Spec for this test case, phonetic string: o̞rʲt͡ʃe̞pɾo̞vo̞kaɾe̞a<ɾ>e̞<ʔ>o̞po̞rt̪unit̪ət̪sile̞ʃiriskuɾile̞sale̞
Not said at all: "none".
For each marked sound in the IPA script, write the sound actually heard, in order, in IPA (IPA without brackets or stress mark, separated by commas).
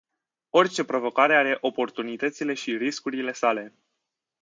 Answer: ɾ, ʔ